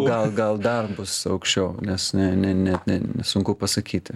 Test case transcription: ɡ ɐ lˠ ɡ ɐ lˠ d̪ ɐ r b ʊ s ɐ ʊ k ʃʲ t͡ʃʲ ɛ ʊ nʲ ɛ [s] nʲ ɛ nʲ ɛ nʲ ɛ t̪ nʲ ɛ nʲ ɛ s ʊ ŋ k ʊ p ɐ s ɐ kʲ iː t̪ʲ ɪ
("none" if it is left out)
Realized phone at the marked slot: s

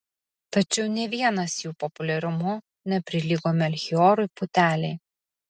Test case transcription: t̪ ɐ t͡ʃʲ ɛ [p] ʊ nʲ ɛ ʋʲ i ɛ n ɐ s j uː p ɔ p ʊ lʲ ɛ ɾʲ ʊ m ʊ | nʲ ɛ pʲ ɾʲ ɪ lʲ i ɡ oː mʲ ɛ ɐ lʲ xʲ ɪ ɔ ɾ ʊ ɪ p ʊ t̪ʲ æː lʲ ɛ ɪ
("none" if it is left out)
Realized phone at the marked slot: none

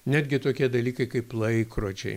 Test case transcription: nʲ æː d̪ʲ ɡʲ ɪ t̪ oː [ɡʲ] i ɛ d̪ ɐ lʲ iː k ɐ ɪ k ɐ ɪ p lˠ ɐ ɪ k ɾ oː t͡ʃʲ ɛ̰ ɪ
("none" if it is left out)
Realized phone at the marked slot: kʲ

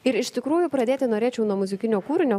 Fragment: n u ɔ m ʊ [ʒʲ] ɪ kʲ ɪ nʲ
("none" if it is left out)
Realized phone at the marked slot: zʲ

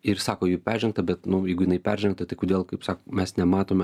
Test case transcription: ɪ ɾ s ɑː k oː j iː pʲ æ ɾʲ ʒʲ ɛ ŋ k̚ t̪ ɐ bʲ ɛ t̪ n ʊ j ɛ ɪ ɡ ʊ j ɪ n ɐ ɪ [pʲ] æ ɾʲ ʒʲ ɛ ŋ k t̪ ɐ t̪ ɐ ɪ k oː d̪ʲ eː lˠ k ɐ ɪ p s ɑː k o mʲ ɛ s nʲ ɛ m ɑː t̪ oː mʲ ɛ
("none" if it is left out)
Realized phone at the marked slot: pʲ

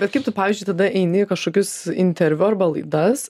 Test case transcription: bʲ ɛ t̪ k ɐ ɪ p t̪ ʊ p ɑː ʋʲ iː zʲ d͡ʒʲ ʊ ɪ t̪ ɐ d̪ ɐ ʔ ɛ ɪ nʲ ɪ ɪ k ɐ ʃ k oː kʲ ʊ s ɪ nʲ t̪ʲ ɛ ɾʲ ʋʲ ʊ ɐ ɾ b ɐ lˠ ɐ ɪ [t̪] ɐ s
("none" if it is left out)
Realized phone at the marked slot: d̪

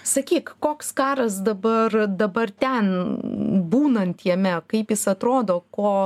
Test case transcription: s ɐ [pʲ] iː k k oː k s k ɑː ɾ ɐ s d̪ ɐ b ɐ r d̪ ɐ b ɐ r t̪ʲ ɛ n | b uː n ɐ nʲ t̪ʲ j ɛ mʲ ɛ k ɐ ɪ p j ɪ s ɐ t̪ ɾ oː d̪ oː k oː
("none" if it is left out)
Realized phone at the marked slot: kʲ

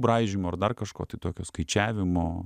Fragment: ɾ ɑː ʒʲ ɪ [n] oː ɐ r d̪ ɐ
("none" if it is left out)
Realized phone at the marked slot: m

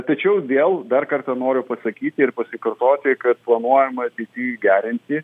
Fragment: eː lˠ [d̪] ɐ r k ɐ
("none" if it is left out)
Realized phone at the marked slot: d̪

